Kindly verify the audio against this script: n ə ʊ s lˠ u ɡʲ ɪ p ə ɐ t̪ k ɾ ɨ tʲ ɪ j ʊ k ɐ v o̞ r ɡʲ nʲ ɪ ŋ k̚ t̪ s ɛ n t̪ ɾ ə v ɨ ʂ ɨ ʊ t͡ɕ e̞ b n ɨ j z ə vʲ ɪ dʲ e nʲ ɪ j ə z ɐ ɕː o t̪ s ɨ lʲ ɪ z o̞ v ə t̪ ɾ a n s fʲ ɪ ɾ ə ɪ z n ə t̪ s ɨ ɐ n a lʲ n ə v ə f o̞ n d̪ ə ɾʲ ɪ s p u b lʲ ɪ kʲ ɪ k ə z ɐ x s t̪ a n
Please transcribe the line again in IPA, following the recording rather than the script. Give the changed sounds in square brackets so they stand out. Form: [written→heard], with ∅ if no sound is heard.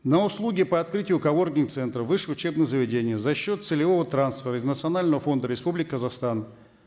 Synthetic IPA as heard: n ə ʊ s lˠ u ɡʲ ɪ p ə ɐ t̪ k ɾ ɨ tʲ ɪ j ʊ k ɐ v o̞ r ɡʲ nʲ ɪ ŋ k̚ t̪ s ɛ n t̪ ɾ ə v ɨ ʂ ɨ ʊ t͡ɕ e̞ b n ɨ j z ə vʲ ɪ dʲ e nʲ ɪ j ə z ɐ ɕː o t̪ s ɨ lʲ ɪ [z→v] o̞ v ə t̪ ɾ a n s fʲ ɪ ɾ ə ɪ z n ə t̪ s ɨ ɐ n a lʲ n ə v ə f o̞ n d̪ ə ɾʲ ɪ s p u b lʲ ɪ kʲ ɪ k ə z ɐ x s t̪ a n